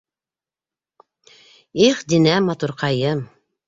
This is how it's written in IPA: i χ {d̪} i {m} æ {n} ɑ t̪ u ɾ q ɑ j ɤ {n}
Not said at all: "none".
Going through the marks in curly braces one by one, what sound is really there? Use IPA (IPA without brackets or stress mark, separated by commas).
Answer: d̪, n, m, m